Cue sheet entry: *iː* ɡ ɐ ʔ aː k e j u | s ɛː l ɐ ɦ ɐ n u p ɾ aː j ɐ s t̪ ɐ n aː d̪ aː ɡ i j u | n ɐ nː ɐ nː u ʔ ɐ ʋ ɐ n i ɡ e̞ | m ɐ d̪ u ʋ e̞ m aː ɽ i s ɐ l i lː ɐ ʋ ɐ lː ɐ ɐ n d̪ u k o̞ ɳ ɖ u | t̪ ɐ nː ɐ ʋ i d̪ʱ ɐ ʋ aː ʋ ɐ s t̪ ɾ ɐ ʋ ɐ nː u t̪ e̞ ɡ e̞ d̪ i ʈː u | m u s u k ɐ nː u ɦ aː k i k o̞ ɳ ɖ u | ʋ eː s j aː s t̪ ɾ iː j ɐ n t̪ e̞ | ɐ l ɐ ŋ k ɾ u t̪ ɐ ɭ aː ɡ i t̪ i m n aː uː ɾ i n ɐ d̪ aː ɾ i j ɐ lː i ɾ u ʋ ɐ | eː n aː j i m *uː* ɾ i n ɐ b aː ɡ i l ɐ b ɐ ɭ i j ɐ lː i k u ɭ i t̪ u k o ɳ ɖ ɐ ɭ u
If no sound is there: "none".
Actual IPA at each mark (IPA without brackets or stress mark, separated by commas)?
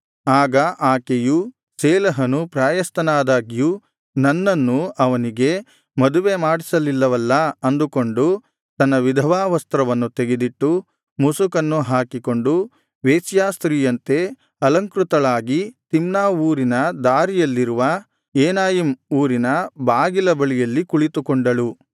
aː, uː